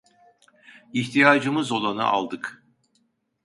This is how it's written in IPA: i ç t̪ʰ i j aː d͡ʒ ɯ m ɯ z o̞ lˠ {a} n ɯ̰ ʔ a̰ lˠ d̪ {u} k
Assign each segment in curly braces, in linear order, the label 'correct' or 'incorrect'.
correct, incorrect

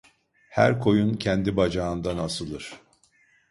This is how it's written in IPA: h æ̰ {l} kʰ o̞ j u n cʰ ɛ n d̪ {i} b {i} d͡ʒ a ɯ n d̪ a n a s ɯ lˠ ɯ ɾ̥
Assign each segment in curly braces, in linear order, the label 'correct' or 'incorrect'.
incorrect, correct, incorrect

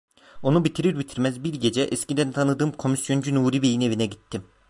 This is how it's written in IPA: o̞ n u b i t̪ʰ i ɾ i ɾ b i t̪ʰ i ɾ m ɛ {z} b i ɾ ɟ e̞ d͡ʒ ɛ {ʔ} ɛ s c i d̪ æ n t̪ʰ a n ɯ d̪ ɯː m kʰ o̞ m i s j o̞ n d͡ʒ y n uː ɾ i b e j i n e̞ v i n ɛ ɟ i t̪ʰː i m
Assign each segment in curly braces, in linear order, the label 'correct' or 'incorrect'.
correct, correct

